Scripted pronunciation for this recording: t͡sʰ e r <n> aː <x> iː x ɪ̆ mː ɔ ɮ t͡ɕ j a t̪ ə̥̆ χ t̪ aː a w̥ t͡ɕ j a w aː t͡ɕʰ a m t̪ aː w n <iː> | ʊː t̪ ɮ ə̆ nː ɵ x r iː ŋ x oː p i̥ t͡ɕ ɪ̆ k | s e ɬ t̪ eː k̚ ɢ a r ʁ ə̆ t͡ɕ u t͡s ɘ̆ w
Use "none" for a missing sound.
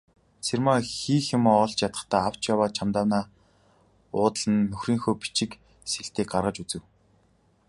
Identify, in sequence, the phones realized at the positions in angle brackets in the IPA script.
m, x, aː

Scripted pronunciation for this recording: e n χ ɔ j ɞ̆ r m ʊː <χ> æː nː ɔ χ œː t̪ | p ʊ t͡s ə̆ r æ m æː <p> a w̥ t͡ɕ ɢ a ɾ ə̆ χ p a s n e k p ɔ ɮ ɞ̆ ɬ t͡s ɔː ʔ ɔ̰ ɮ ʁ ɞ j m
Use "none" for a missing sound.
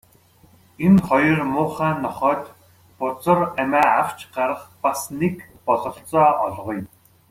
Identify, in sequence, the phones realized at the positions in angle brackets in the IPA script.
χ, none

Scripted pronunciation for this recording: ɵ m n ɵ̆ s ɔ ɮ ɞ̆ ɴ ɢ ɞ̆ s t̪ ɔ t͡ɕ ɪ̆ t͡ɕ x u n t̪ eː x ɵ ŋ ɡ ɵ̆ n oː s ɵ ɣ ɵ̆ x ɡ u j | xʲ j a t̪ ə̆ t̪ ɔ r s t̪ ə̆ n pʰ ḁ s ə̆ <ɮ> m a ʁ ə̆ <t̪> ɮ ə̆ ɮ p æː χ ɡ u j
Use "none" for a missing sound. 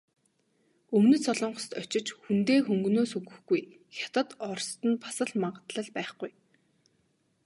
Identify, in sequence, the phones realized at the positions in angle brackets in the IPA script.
ɮ, t̪

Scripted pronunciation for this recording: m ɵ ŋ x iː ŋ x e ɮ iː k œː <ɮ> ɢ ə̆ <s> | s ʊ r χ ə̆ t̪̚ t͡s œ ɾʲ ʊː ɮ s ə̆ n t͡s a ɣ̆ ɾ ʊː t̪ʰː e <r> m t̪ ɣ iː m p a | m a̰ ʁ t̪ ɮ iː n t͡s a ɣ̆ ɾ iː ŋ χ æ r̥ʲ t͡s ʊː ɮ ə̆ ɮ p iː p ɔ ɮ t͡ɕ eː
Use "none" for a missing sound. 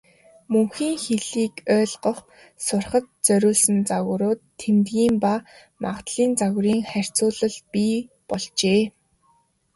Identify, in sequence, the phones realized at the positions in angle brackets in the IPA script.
ɮ, χ, none

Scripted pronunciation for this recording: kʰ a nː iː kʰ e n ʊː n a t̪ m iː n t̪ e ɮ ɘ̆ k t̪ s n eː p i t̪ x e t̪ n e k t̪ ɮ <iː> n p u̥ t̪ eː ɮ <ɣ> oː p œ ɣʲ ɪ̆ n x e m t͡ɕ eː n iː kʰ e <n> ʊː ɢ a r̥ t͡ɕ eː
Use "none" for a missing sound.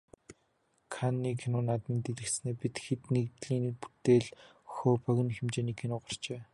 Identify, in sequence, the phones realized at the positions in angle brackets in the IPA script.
iː, x, n

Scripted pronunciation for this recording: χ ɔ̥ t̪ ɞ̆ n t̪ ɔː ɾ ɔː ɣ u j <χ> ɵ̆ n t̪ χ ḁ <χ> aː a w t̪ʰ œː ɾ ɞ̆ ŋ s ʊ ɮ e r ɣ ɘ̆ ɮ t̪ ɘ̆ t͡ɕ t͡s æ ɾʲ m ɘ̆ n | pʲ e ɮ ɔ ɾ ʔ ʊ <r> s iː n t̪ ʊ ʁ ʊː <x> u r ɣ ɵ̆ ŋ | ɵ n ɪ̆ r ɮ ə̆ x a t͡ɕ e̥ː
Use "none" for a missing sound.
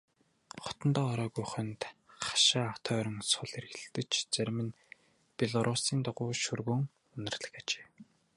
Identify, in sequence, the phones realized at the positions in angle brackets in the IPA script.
χ, ʃ, none, ʃ

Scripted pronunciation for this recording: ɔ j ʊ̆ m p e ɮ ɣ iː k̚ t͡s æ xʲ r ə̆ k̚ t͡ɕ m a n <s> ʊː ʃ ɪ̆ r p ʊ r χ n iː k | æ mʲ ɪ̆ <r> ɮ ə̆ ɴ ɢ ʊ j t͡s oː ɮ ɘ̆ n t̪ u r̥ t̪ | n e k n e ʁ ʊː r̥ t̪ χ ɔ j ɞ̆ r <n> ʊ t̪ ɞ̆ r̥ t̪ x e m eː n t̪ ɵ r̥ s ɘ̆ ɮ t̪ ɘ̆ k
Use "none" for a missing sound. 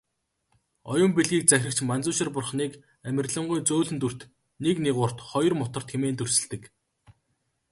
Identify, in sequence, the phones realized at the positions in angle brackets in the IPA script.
t͡s, r, m

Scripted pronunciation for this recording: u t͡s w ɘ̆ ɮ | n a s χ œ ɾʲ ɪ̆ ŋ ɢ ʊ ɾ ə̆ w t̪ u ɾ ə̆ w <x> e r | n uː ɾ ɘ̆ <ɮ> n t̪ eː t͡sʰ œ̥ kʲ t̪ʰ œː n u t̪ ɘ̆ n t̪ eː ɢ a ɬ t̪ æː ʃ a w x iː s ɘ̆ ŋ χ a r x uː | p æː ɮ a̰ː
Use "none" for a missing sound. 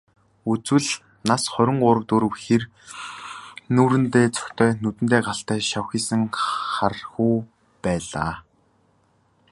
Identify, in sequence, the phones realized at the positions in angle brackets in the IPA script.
x, none

